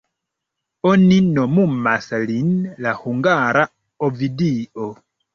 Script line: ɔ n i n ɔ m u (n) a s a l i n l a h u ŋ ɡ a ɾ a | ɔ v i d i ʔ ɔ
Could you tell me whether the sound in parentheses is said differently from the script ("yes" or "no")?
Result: yes